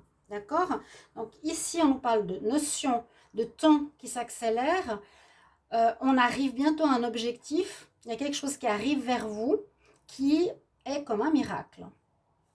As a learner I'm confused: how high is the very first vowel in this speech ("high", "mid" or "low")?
low